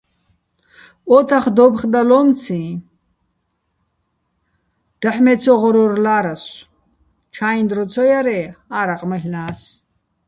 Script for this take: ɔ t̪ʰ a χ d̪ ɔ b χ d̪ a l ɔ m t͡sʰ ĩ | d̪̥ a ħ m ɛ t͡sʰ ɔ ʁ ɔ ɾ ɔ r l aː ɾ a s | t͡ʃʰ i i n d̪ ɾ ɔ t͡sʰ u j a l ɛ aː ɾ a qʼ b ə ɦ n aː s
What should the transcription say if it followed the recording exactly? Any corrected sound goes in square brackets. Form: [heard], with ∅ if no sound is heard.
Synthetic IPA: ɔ t̪ʰ a χ d̪ ɔ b χ d̪ a l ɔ m t͡sʰ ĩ | d̪̥ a ħ m ɛ t͡sʰ ɔ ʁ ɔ ɾ ɔ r l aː ɾ a s | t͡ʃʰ [a] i n d̪ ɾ ɔ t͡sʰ [ɔ] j a [ɾ] ɛ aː ɾ a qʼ [m] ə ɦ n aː s